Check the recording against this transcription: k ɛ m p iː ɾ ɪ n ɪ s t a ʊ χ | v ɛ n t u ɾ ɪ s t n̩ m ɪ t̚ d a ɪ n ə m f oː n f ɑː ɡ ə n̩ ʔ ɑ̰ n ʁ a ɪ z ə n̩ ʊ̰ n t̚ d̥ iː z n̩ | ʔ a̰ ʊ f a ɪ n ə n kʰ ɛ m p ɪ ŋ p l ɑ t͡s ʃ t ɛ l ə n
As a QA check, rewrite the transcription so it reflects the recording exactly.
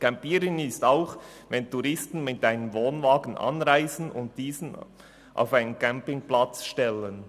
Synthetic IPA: k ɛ m p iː ɾ ɪ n ɪ s t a ʊ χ | v ɛ n t u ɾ ɪ s t n̩ m ɪ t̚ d a ɪ n ə m v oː n v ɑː ɡ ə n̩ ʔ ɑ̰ n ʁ a ɪ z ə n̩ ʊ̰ n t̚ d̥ iː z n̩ | ʔ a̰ ʊ f a ɪ n ə n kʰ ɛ m p ɪ ŋ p l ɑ t͡s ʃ t ɛ l ə n